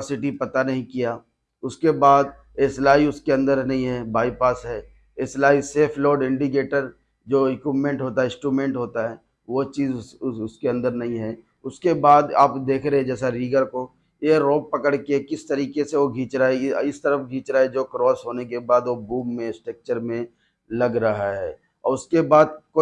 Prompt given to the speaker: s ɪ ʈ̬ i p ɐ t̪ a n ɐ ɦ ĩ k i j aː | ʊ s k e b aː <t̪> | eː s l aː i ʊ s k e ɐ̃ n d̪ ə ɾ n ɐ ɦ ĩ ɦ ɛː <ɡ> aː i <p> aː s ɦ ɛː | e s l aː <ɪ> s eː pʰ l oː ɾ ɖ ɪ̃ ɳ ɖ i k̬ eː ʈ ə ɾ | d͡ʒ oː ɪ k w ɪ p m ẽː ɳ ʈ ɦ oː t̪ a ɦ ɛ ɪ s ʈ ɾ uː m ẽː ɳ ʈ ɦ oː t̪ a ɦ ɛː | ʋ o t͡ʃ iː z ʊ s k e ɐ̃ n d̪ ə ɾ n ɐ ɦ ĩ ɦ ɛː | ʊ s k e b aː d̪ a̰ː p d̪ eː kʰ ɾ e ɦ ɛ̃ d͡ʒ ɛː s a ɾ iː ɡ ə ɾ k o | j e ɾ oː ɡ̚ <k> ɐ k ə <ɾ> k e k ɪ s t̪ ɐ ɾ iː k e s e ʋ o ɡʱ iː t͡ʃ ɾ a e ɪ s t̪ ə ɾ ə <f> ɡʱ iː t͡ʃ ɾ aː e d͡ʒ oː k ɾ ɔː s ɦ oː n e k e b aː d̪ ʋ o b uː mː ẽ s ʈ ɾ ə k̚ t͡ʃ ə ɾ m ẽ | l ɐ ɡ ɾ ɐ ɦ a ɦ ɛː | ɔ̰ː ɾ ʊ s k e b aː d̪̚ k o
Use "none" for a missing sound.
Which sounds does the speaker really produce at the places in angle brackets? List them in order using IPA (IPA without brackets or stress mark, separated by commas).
d̪, b, p, i, p, ɽ, f